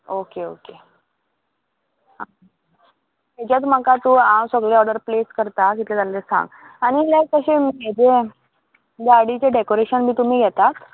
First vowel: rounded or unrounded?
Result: rounded